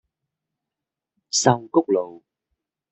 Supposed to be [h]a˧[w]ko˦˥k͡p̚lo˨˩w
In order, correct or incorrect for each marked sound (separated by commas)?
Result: incorrect, correct